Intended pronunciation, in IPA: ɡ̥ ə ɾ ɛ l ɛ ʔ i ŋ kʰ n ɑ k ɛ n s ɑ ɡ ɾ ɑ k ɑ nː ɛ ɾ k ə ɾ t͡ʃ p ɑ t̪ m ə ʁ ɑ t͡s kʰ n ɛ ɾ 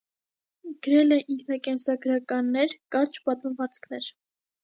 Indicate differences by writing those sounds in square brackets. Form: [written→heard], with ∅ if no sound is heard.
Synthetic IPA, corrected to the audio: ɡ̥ ə ɾ ɛ l ɛ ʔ i ŋ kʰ n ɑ k ɛ n s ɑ ɡ ɾ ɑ k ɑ nː ɛ ɾ k [ə→ɑ] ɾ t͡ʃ p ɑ t̪ m ə [ʁ→v] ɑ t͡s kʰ n ɛ ɾ

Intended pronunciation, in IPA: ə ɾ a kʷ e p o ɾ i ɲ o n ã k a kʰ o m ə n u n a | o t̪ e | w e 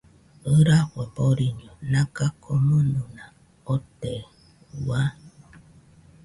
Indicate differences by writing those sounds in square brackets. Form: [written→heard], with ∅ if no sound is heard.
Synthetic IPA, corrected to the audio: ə ɾ a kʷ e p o ɾ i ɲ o n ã k a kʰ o m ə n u n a | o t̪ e | w [e→a]

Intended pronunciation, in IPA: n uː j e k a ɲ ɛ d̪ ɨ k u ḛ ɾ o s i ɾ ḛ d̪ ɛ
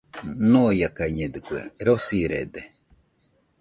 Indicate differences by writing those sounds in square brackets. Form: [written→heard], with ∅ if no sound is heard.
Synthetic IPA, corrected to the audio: n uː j [e→a] k a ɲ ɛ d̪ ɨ k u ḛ ɾ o s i ɾ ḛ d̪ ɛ

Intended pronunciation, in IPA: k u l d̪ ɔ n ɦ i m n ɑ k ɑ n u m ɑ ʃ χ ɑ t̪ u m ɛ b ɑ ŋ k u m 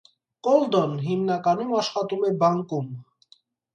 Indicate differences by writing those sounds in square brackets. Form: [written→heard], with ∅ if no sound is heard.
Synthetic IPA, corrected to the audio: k [u→ɔ] l d̪ ɔ n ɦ i m n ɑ k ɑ n u m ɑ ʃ χ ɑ t̪ u m ɛ b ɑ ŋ k u m

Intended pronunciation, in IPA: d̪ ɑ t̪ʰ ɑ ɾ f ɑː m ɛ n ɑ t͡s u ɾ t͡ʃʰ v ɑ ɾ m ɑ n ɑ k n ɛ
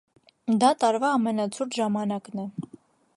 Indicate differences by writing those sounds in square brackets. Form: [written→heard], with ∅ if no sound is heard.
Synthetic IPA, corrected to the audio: d̪ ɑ [t̪ʰ→t̪] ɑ ɾ [f→v] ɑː m ɛ n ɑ [t͡s→t͡sʰ] u ɾ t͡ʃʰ [v→ʒ] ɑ [ɾ→∅] m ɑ n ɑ k n ɛ

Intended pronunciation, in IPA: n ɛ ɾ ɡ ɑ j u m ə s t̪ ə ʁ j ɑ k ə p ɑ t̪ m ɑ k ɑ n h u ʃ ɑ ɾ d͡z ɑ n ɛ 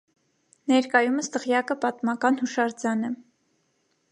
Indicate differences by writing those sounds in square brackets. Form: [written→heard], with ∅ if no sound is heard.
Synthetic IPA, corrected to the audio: n ɛ ɾ [ɡ→k] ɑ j u m ə s t̪ ə ʁ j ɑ k ə p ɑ t̪ m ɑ k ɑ n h u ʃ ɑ ɾ d͡z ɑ n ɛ

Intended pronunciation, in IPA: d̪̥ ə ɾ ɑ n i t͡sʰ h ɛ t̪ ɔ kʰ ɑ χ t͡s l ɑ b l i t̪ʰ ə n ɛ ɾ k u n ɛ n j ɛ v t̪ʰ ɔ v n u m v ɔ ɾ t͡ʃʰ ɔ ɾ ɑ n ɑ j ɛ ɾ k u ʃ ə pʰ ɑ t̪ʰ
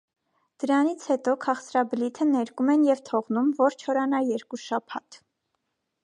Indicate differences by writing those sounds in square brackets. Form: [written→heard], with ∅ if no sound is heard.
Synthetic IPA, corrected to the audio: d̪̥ ə ɾ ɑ n i t͡sʰ h ɛ t̪ ɔ kʰ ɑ χ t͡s [l→ɾ] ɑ b l i t̪ʰ ə n ɛ ɾ k u [n→m] ɛ n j ɛ v t̪ʰ ɔ [v→ʁ] n u m v ɔ ɾ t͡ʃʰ ɔ ɾ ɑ n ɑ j ɛ ɾ k u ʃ [ə→ɑ] pʰ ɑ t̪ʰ

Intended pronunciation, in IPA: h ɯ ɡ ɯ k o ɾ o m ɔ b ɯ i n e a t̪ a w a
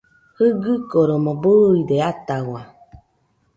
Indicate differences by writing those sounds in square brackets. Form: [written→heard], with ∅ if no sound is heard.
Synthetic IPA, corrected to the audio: h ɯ ɡ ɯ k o ɾ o m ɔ b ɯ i [n→d] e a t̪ a w a

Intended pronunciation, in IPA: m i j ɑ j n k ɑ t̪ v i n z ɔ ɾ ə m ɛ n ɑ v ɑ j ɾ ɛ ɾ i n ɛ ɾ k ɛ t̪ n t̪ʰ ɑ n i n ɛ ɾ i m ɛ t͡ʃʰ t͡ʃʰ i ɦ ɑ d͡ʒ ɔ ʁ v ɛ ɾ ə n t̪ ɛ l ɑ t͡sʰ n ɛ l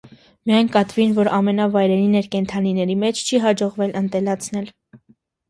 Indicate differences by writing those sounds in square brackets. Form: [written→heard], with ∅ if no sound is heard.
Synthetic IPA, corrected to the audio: m i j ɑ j n k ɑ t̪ v i n [z→v] ɔ ɾ [ə→ɑ] m ɛ n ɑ v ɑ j ɾ ɛ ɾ i n ɛ ɾ k ɛ [t̪→∅] n t̪ʰ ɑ n i n ɛ ɾ i m ɛ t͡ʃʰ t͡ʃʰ i ɦ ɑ d͡ʒ ɔ ʁ v ɛ [ɾ→l] ə n t̪ ɛ l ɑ t͡sʰ n ɛ l

